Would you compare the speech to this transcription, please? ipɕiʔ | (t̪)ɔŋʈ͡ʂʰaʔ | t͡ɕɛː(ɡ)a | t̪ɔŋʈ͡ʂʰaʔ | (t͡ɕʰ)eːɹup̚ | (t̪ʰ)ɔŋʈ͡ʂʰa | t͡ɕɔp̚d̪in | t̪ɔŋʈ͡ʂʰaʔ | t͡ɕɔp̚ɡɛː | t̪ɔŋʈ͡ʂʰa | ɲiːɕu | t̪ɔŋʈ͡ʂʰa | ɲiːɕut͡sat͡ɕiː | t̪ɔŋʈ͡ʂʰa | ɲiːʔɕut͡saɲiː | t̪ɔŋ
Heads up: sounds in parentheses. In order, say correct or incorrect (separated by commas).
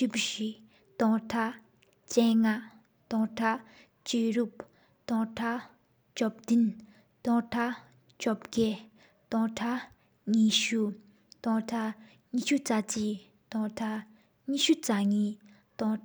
correct, incorrect, incorrect, incorrect